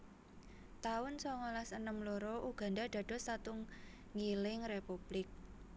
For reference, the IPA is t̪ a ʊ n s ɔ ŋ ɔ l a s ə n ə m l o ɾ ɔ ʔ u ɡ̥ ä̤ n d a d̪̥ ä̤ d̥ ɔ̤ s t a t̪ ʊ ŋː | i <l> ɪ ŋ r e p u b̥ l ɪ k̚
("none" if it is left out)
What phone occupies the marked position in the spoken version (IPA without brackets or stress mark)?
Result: l